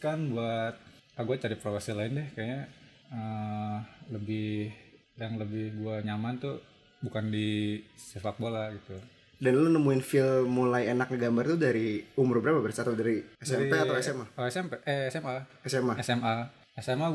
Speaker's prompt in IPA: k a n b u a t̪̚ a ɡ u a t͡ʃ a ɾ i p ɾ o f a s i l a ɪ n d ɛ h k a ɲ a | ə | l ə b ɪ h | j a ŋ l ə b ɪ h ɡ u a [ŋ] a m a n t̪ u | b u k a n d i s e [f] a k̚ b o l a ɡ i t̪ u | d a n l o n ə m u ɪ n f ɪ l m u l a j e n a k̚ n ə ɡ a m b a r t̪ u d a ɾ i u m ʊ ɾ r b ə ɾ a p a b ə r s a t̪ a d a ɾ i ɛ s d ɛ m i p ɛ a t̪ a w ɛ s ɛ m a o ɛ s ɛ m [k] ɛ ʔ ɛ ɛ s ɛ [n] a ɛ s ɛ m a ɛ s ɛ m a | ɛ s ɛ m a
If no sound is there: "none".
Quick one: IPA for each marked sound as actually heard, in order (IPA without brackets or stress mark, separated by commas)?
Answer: ɲ, f, p, m